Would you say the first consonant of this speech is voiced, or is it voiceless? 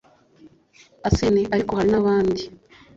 voiceless